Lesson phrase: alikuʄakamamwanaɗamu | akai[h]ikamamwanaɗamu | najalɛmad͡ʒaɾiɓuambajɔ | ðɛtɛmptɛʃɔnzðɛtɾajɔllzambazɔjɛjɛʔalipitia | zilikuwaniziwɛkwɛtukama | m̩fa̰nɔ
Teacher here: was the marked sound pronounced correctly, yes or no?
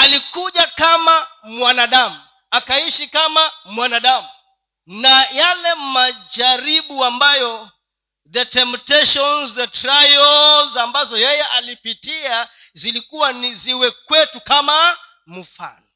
no